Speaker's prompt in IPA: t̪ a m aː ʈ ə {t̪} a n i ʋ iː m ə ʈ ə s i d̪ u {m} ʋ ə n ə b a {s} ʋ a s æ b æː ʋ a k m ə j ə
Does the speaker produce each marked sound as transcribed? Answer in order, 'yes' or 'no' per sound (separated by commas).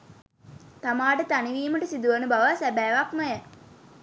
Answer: yes, no, no